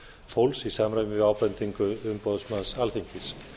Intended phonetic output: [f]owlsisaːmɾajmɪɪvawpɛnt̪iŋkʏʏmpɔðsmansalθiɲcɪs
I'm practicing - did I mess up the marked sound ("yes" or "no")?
no